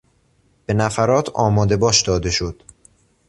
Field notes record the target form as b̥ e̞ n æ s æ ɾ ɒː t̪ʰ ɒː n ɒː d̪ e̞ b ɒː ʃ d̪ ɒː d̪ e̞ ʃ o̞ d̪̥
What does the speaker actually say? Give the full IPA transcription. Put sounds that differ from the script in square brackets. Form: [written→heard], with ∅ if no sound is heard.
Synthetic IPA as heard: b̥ e̞ n æ [s→f] æ ɾ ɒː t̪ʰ ɒː [n→m] ɒː d̪ e̞ b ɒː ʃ d̪ ɒː d̪ e̞ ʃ o̞ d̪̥